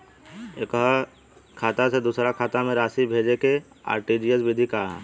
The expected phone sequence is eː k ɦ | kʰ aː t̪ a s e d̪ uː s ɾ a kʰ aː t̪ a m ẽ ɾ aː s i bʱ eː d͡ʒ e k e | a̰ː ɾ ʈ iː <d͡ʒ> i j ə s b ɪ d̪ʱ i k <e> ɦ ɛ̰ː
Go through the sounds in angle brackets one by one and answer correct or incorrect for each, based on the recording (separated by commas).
correct, incorrect